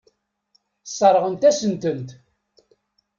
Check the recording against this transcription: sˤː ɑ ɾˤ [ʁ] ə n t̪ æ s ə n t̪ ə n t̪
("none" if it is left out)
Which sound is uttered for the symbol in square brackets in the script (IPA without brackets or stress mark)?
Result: ʁ